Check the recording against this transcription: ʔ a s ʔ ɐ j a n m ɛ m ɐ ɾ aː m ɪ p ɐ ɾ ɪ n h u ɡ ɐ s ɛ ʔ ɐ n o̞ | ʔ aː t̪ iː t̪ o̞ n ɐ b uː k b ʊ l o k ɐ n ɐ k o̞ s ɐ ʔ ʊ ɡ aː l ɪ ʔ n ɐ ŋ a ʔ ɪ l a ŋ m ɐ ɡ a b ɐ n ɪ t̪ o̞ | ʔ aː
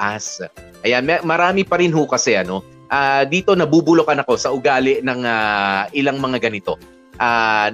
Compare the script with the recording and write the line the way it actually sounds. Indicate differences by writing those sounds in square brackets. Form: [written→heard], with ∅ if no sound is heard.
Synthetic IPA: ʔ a s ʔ ɐ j a n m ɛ m ɐ ɾ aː m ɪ p ɐ ɾ ɪ n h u [ɡ→k] ɐ s ɛ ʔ ɐ n o̞ | ʔ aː [t̪→d̪] iː t̪ o̞ n ɐ b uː [k→∅] b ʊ l o k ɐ n ɐ k o̞ s ɐ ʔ ʊ ɡ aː l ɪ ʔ n ɐ ŋ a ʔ ɪ l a ŋ m ɐ [ɡ→ŋ] a [b→ɡ] ɐ n ɪ t̪ o̞ | ʔ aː